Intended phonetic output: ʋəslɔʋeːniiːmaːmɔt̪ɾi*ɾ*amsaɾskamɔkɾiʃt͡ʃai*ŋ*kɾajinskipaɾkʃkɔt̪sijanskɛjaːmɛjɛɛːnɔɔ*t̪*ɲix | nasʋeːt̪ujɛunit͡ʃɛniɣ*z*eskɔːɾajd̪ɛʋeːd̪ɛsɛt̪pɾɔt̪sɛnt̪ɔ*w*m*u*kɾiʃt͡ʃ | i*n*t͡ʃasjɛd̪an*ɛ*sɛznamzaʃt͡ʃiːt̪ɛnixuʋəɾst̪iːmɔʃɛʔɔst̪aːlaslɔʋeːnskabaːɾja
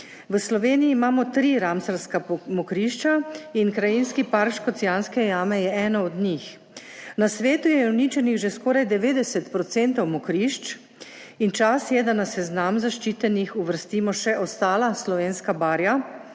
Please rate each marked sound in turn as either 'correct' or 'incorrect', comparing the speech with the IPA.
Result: correct, incorrect, incorrect, incorrect, correct, incorrect, correct, incorrect

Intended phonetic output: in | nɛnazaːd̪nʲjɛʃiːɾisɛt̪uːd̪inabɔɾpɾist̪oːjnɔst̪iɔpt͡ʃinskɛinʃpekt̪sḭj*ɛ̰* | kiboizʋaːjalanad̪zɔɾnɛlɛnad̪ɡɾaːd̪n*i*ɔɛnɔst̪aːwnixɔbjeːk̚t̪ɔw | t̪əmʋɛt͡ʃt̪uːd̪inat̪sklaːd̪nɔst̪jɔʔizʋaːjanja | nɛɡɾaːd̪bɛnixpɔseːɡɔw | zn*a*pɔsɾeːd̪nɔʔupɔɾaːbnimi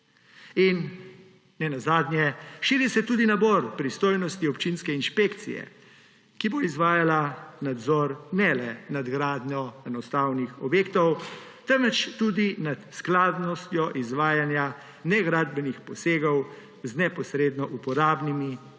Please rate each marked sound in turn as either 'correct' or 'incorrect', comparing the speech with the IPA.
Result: correct, incorrect, incorrect

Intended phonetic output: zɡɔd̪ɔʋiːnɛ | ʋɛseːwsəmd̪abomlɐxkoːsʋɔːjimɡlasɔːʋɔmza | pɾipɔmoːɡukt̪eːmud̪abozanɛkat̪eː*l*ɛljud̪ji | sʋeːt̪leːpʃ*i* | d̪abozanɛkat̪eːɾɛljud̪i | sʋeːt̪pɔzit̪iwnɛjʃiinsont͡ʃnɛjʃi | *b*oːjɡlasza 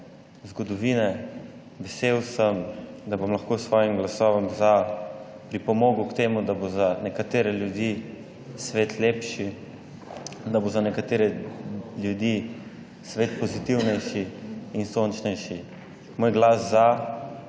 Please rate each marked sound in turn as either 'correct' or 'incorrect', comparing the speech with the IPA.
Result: incorrect, correct, incorrect

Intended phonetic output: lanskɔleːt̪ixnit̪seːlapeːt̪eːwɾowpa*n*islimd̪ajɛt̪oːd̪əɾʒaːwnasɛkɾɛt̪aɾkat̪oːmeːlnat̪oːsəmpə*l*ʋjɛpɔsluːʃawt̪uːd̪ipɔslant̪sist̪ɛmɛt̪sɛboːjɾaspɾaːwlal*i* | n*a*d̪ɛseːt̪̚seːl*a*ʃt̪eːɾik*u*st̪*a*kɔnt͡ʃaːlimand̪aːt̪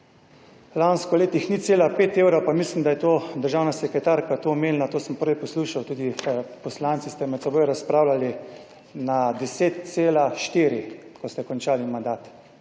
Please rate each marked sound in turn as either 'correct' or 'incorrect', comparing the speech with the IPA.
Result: incorrect, incorrect, correct, correct, correct, incorrect, incorrect

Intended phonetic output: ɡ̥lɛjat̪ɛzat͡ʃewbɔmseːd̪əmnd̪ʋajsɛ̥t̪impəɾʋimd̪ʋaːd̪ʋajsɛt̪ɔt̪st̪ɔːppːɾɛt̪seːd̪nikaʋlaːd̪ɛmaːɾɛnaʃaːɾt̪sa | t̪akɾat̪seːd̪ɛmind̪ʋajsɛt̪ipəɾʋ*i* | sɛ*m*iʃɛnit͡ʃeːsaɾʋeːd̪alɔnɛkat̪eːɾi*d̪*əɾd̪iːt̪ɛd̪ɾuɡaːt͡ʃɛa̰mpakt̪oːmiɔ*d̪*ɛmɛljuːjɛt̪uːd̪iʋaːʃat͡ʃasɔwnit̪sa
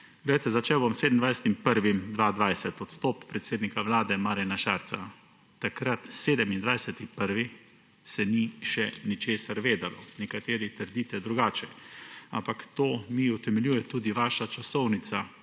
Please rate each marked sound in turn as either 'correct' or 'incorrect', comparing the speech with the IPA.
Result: correct, incorrect, incorrect, incorrect

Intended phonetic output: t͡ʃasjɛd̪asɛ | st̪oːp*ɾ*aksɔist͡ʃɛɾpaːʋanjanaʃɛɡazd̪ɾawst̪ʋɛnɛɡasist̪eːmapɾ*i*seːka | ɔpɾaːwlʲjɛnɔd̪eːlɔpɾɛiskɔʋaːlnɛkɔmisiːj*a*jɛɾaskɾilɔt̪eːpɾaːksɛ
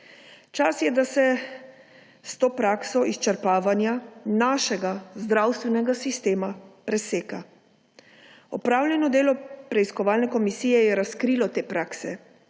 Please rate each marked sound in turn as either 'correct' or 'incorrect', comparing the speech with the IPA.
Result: correct, incorrect, incorrect

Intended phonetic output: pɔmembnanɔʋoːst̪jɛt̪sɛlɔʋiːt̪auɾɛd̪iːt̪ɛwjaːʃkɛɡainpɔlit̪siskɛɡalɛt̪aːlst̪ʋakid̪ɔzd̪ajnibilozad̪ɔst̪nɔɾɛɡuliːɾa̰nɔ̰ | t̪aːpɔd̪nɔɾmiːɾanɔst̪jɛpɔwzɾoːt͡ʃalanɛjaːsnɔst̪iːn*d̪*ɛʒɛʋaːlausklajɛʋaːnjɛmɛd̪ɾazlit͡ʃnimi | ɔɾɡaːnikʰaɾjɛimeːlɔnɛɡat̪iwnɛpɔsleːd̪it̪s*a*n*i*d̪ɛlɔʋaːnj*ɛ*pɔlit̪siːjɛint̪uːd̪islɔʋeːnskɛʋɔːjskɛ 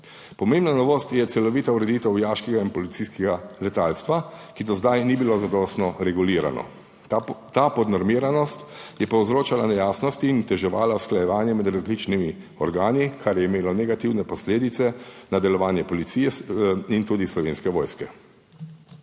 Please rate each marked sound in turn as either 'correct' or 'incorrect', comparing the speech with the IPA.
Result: incorrect, incorrect, incorrect, correct

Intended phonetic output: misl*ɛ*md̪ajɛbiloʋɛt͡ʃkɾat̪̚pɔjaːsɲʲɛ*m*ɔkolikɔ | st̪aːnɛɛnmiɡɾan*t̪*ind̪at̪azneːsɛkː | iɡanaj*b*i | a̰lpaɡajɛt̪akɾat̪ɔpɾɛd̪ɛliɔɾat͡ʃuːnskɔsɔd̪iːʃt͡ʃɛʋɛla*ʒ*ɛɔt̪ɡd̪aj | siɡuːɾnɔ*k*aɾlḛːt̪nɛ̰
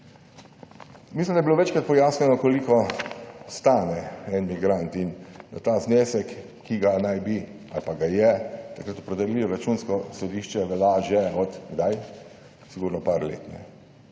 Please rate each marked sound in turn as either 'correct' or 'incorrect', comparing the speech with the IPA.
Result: incorrect, incorrect, correct, correct, correct, incorrect

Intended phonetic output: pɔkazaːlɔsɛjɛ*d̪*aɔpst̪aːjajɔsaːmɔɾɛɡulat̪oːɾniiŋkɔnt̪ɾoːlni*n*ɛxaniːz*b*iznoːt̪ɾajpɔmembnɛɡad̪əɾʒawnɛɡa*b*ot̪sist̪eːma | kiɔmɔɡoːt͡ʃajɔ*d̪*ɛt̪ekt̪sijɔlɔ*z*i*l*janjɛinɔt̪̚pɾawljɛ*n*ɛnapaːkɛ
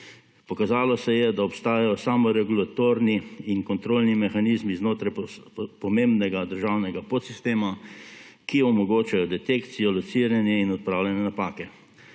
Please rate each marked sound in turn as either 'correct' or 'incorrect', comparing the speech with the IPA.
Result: correct, incorrect, incorrect, incorrect, correct, incorrect, incorrect, correct

